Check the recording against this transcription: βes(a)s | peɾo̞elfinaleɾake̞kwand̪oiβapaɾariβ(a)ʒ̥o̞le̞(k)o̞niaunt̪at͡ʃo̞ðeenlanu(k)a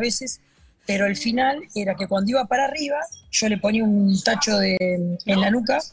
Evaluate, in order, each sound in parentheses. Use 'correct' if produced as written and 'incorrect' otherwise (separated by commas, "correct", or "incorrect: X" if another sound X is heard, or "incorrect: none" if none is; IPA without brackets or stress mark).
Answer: incorrect: e, correct, incorrect: p, correct